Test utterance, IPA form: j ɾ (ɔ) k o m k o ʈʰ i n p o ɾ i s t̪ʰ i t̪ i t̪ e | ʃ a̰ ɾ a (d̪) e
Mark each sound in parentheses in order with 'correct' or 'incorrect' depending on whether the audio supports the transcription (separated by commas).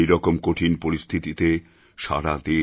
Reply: correct, correct